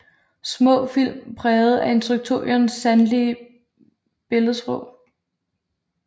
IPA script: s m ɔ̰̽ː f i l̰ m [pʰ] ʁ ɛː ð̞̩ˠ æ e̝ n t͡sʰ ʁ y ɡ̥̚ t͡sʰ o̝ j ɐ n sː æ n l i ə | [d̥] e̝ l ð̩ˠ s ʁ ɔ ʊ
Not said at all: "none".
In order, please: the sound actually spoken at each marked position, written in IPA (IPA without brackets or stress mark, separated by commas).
pʰ, b̥